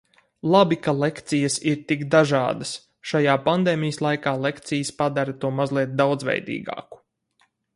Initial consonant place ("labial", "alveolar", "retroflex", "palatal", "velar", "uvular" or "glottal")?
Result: alveolar